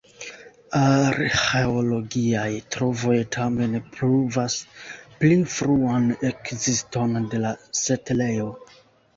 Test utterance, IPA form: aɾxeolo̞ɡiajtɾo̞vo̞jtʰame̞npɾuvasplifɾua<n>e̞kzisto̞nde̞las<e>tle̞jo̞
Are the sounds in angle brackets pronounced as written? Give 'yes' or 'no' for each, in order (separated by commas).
yes, yes